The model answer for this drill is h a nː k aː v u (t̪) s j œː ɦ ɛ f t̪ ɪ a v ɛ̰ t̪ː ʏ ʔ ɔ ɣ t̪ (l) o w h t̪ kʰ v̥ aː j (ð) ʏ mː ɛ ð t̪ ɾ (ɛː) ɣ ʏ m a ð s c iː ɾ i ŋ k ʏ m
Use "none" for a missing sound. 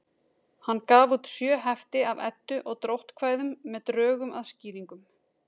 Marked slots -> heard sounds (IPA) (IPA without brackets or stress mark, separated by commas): t̪, ɾ, ð, œː